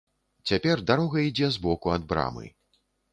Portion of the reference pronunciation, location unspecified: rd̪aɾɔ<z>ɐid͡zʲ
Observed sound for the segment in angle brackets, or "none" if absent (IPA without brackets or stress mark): ɣ